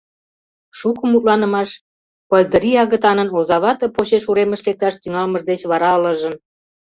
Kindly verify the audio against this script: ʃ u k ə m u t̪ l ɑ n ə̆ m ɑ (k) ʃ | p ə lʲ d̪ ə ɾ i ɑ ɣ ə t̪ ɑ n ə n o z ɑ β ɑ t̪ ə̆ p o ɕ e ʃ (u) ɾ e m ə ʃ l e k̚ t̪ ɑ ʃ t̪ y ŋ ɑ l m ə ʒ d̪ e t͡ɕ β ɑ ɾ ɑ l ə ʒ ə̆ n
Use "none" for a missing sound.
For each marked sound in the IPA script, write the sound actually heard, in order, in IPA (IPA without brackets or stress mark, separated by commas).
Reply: none, u